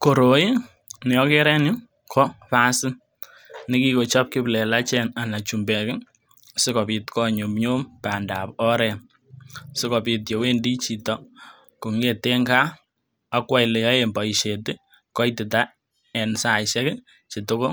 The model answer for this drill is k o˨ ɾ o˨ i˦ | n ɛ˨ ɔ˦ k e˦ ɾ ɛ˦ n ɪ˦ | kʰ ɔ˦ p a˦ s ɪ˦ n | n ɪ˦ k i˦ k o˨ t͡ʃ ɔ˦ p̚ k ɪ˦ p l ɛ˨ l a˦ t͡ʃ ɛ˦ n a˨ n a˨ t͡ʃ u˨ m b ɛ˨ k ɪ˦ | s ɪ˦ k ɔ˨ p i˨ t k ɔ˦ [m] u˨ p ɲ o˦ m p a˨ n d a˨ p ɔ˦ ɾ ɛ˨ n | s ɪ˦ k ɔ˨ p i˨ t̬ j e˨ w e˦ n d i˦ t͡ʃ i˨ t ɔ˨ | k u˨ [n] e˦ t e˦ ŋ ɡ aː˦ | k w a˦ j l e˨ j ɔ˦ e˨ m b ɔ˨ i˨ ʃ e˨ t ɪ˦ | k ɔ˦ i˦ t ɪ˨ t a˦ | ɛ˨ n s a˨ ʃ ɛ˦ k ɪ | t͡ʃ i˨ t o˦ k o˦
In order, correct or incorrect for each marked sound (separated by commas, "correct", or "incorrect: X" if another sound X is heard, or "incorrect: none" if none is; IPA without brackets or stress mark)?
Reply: incorrect: ɲ, incorrect: ŋ